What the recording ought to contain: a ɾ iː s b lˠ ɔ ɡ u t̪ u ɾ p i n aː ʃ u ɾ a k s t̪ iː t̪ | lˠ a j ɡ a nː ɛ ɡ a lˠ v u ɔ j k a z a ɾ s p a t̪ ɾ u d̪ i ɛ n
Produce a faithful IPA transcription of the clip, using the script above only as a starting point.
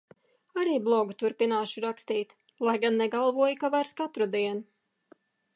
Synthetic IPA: a ɾ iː b lˠ ɔ ɡ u t̪ u ɾ p i n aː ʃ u ɾ a k s t̪ iː t̪ | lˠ a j ɡ a nː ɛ ɡ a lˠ v u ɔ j k a v a ɾ s k a t̪ ɾ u d̪ i ɛ n